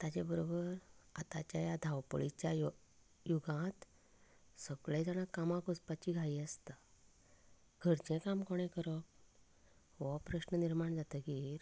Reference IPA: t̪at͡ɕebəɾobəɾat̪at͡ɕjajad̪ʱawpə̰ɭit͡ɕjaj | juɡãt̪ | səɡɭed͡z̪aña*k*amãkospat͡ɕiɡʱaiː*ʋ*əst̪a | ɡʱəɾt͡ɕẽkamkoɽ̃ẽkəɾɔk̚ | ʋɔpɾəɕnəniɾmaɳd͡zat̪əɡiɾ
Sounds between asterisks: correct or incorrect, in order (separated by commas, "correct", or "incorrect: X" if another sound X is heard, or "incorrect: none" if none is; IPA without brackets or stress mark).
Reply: correct, incorrect: none